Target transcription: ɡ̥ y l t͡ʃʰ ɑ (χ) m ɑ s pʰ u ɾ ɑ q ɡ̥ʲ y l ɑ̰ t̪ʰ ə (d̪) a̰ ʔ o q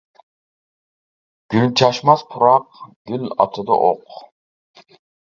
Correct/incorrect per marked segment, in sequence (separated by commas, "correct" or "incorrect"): incorrect, correct